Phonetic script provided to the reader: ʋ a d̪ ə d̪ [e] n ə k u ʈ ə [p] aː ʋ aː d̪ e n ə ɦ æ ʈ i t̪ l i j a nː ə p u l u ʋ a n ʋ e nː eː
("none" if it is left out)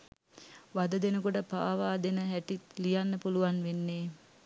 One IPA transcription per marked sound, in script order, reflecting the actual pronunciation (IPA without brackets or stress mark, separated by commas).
e, p